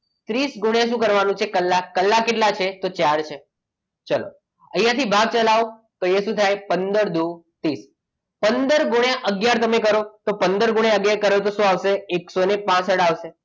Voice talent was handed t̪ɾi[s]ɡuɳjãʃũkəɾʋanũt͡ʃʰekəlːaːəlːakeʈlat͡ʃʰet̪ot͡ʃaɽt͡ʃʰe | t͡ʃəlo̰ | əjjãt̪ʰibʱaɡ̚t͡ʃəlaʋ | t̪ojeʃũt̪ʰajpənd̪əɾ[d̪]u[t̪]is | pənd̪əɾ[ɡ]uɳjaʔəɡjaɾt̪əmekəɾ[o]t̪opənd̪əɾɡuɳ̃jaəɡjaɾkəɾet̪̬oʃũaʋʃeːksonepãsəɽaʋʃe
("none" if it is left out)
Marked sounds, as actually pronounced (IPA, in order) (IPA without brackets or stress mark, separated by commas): s, d̪, t̪, ɡ, o